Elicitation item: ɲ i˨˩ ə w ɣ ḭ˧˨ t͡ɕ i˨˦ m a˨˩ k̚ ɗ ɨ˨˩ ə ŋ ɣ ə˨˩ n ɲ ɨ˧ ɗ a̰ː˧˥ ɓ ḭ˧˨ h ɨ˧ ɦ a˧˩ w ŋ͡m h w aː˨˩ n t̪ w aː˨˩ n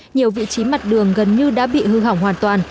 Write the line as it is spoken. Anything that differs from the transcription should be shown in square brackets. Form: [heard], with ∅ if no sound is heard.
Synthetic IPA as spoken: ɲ i˨˩ ə w [v] ḭ˧˨ t͡ɕ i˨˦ m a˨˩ [t̚] ɗ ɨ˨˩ ə ŋ ɣ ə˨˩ n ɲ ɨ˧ ɗ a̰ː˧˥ ɓ ḭ˧˨ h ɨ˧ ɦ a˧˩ w ŋ͡m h w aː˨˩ n t̪ w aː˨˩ n

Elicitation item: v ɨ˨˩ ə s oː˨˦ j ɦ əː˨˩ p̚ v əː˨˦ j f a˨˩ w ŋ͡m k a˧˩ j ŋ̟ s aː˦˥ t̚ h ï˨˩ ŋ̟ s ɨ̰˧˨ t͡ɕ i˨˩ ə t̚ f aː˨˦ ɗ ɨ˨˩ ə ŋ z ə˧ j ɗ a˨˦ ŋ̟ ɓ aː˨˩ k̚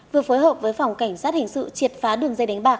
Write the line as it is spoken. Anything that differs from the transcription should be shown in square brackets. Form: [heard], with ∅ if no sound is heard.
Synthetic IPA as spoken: v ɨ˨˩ ə [f] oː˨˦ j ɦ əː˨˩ p̚ v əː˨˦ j f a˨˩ w ŋ͡m k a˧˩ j ŋ̟ s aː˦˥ t̚ h ï˨˩ ŋ̟ s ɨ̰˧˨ t͡ɕ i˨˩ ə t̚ f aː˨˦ ɗ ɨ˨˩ ə ŋ z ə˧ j ɗ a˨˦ ŋ̟ ɓ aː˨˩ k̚

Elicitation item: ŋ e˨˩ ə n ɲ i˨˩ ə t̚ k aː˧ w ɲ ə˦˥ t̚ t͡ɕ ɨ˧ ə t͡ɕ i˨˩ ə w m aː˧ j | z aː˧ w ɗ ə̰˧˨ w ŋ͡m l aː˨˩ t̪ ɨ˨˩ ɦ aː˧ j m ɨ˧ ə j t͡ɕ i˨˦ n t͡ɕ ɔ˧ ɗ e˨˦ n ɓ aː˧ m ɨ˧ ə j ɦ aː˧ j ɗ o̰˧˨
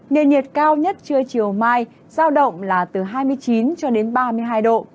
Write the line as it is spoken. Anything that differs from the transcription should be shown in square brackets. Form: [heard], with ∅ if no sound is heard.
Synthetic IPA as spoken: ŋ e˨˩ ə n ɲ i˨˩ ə t̚ k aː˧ w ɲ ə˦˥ t̚ t͡ɕ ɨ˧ ə t͡ɕ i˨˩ ə w m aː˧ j | z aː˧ w ɗ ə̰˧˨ w ŋ͡m l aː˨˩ t̪ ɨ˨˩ ɦ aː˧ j m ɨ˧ ə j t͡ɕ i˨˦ n t͡ɕ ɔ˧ ɗ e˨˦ n ɓ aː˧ m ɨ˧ ə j ɦ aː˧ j ɗ o̰˧˨

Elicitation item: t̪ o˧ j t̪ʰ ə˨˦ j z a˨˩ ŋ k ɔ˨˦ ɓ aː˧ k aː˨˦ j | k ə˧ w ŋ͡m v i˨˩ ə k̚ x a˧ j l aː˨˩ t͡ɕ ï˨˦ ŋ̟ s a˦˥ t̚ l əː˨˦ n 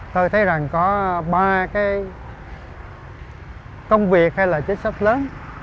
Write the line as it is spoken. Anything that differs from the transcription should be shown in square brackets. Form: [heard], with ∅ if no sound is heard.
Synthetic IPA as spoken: t̪ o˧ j t̪ʰ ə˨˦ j z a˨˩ ŋ k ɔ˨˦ ɓ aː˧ k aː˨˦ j | k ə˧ w ŋ͡m v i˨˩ ə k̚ [h] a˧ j l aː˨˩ t͡ɕ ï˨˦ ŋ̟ s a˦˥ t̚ l əː˨˦ n

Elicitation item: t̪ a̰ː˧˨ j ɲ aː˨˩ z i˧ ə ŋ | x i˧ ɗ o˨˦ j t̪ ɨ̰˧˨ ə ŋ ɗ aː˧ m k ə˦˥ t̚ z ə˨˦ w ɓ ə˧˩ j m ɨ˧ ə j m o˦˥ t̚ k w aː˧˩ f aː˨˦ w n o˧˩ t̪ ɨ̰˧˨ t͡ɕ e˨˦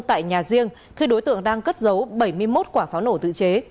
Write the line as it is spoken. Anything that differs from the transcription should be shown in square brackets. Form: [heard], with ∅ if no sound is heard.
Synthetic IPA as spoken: t̪ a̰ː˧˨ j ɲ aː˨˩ z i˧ ə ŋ | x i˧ ɗ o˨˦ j t̪ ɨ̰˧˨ ə ŋ ɗ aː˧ [ŋ] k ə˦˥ t̚ z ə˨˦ w ɓ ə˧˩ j m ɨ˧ ə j m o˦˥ t̚ k w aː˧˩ f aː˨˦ w n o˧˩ t̪ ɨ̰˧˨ t͡ɕ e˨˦

